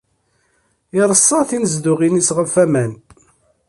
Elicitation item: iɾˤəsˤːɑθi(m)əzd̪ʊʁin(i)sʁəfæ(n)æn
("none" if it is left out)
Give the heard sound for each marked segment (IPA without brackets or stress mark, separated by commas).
n, i, m